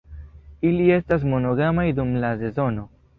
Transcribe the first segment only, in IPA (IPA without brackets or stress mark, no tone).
i